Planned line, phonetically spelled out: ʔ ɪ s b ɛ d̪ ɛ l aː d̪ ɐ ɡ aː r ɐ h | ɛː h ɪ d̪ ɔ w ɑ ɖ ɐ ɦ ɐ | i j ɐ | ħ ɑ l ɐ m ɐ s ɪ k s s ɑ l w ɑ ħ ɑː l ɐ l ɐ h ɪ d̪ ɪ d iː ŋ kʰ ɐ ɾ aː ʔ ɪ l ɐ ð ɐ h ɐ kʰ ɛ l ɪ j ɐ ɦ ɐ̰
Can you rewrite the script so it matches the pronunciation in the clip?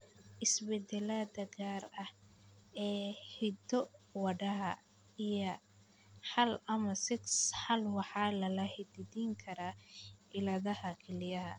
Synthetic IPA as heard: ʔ ɪ s b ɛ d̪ ɛ l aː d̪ ɐ ɡ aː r ɐ h | ɛː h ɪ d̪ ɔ w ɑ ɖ ɐ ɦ ɐ | i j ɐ | ħ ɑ l ɐ m ɐ s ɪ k s ħ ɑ l w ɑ ħ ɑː l ɐ l ɐ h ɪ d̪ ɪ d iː ŋ kʰ ɐ ɾ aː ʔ ɪ l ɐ ð ɐ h ɐ kʰ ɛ l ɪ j ɐ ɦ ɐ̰